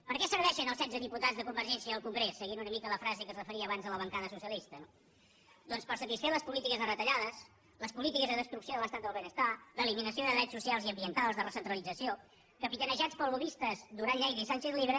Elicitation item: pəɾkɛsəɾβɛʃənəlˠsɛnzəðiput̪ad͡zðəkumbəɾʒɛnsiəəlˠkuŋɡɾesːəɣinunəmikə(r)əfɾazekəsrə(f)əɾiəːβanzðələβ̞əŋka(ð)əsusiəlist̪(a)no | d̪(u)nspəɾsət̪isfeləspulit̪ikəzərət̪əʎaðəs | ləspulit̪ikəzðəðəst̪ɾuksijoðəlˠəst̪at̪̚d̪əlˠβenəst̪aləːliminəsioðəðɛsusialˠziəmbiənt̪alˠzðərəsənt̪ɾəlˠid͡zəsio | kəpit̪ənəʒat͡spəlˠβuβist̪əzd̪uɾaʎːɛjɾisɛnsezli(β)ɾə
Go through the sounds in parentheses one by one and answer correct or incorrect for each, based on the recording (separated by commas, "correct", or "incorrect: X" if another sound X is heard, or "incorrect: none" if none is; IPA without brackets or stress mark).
incorrect: l, correct, correct, incorrect: ə, incorrect: ɔ, correct